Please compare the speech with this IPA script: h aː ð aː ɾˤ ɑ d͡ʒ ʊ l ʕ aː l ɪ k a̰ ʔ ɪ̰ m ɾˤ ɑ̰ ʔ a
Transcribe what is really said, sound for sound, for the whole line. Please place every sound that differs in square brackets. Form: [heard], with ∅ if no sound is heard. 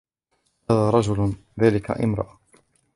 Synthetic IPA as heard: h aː ð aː ɾˤ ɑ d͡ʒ ʊ l [ð] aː l ɪ k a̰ ʔ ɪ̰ m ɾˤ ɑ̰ ʔ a